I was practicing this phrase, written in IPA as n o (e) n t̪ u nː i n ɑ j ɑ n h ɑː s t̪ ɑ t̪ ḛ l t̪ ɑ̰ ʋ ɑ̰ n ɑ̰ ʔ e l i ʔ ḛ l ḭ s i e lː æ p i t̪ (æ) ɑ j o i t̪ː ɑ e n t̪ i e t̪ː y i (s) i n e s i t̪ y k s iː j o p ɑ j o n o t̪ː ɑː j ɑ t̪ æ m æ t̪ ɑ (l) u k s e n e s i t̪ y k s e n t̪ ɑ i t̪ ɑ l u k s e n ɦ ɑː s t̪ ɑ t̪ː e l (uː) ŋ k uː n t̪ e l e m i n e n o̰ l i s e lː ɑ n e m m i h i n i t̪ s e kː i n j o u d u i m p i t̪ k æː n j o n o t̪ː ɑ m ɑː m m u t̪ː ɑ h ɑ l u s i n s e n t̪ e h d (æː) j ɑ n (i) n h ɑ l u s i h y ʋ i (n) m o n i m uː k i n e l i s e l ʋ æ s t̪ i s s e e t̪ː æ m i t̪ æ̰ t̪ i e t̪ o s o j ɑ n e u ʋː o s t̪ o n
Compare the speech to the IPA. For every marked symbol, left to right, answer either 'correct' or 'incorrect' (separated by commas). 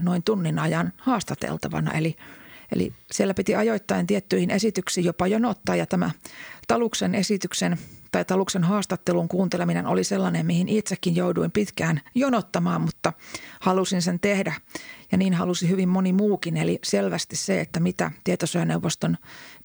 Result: incorrect, incorrect, incorrect, correct, incorrect, incorrect, incorrect, incorrect